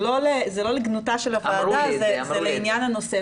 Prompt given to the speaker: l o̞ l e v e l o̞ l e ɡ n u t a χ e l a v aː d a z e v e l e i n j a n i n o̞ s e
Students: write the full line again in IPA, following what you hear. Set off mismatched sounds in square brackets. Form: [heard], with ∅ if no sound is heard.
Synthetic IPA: l o̞ l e [z] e l o̞ l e ɡ n u t a [ʃ] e l a v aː d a z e [z] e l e i n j a n [a] n o̞ s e